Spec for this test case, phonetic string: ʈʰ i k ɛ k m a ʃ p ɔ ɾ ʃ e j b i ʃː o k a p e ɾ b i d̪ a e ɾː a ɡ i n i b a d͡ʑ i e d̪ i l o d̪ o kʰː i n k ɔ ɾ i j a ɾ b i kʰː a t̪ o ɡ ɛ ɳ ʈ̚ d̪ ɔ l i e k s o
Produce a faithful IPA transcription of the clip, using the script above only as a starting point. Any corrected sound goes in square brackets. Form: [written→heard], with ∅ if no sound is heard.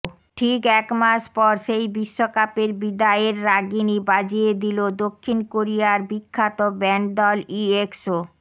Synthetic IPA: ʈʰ i k ɛ k m a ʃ p ɔ ɾ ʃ e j b i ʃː o k a p e ɾ b i d̪ a e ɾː a ɡ i n i b a d͡ʑ i e d̪ i l o d̪ o kʰː i n k [ɔ→o] ɾ i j a ɾ b i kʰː a t̪ o [ɡ→b] ɛ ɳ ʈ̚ d̪ ɔ l i e k s o